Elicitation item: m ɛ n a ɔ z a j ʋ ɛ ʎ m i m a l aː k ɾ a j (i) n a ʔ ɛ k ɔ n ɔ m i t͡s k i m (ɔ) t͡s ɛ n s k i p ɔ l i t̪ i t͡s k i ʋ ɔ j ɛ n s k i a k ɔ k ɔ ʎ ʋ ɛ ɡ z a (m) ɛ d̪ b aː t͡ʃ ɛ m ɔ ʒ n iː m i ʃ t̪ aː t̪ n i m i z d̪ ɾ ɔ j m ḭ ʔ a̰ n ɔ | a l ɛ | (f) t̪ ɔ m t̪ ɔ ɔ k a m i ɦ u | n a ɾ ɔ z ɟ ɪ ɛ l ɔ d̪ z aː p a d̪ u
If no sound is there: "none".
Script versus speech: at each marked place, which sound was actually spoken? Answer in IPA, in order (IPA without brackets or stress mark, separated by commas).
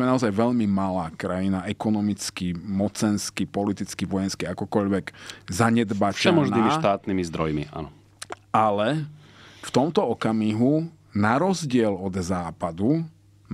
i, ɔ, ɲ, f